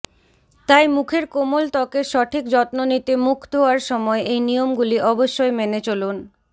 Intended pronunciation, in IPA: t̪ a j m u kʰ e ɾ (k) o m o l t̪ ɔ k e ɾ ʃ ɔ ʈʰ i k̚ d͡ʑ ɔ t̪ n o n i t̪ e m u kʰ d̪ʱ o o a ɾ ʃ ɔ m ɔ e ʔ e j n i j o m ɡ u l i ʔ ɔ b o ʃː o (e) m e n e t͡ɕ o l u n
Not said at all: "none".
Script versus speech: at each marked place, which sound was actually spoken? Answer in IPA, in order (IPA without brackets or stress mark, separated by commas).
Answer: k, e